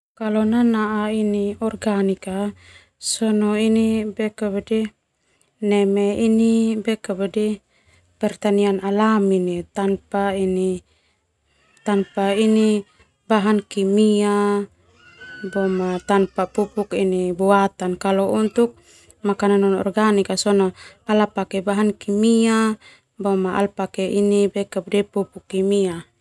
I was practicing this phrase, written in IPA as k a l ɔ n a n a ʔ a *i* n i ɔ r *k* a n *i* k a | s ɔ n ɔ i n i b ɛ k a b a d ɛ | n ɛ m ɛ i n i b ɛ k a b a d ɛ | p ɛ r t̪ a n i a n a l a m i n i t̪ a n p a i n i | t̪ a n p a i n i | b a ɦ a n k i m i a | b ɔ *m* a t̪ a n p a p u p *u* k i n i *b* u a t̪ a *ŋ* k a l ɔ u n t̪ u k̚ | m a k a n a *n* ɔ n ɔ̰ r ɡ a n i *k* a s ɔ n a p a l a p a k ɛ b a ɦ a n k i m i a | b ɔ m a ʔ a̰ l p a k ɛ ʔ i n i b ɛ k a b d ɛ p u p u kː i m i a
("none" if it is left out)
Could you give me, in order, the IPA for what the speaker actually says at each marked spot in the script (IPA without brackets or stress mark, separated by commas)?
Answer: i, ɡ, i, m, u, b, n, n, k